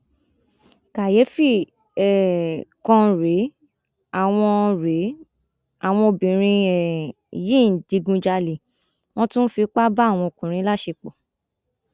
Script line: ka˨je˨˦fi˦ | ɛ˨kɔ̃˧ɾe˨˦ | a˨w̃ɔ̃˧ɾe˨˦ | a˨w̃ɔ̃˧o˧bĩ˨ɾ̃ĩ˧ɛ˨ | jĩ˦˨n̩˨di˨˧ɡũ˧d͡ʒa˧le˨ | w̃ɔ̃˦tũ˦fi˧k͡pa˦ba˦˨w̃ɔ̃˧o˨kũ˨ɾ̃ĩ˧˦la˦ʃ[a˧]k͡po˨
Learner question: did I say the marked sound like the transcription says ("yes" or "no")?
no